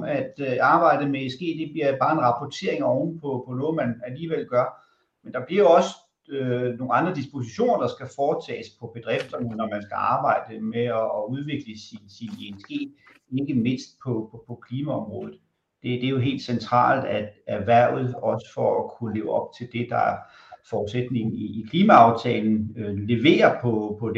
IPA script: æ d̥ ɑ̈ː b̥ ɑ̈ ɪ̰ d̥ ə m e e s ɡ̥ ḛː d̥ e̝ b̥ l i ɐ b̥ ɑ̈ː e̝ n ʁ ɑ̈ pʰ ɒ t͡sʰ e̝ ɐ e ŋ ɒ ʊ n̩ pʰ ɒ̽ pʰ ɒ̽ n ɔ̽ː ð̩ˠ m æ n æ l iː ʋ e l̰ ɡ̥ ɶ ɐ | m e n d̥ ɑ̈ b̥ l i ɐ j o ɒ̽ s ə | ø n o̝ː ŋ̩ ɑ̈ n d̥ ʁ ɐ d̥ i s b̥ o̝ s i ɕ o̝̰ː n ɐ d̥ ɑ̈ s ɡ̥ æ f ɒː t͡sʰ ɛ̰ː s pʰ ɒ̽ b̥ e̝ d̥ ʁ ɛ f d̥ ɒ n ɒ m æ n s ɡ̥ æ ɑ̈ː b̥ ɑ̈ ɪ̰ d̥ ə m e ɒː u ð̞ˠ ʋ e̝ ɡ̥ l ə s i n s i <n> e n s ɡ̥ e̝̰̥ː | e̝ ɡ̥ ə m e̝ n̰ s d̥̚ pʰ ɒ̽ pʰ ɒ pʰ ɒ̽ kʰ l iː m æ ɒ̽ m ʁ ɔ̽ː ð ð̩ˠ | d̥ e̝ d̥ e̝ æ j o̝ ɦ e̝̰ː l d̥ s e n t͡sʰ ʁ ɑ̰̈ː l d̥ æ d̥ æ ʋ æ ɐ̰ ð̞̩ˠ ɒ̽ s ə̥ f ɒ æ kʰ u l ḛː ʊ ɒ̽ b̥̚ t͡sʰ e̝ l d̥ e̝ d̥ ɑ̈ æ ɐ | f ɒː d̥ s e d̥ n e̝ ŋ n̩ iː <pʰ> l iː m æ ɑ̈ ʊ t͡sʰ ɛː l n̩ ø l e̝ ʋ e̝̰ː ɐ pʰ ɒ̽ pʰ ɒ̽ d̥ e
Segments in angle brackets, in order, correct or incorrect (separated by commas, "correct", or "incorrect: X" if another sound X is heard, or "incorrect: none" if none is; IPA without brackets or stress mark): correct, incorrect: kʰ